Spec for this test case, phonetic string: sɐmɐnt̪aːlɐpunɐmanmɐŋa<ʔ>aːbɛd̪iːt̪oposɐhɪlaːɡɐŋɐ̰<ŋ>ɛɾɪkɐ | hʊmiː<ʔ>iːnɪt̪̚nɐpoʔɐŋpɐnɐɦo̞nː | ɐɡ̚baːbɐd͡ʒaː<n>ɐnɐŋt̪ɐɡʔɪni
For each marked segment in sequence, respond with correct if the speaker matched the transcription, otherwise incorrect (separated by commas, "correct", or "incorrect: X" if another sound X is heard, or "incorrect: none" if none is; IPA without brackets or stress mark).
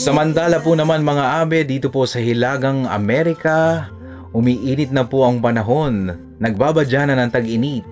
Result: correct, incorrect: m, correct, correct